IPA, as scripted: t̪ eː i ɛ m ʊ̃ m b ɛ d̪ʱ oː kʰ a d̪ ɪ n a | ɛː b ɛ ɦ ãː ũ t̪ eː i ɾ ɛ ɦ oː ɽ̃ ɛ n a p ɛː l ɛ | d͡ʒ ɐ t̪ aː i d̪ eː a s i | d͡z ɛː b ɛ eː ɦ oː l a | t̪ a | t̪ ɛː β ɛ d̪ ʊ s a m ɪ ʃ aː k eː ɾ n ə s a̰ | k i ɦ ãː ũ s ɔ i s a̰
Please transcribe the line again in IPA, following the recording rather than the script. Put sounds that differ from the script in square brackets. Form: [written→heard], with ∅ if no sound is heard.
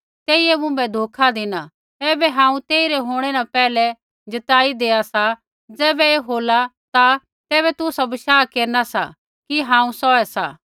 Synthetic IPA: t̪ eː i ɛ m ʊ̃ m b ɛ d̪ʱ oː kʰ a d̪ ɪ n a | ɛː b ɛ ɦ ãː ũ t̪ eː i ɾ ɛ ɦ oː ɽ̃ ɛ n a p ɛː l ɛ | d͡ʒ ɐ t̪ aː i d̪ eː a s [i→a] | d͡z ɛː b ɛ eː ɦ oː l a | t̪ a | t̪ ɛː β ɛ [d̪→t̪] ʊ s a [m→b] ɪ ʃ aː k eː ɾ n [ə→a] s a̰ | k i ɦ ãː ũ s ɔ [i→ɛ] s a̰